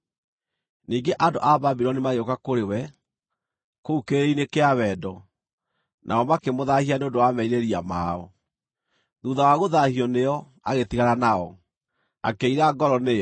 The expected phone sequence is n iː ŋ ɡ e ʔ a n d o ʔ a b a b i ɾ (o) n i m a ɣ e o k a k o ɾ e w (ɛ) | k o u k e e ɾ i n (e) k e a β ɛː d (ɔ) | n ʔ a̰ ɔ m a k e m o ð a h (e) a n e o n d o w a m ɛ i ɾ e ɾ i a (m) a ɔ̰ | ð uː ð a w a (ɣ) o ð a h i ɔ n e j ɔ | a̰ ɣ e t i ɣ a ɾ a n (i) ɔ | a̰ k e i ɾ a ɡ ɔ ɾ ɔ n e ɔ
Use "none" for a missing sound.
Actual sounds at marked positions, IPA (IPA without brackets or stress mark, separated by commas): ɔ, ɛ, e, ɔ, i, m, ɣ, a